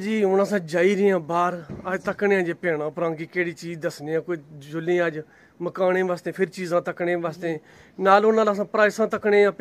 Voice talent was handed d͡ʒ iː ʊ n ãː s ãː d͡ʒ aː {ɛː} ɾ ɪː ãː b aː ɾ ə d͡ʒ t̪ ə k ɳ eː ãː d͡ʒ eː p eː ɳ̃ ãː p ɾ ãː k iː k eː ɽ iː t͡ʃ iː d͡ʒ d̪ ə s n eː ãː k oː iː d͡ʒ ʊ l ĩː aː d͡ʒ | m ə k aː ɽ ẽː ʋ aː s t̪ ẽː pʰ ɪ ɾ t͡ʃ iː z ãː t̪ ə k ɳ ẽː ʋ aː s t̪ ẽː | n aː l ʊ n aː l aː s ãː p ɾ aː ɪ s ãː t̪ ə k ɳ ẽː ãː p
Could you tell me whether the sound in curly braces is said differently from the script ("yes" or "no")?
yes